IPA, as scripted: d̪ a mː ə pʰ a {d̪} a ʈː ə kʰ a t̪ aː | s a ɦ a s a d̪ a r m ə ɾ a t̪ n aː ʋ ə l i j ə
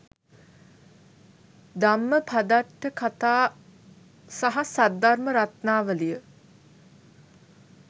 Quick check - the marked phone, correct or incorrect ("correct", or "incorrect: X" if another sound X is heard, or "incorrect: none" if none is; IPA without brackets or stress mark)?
correct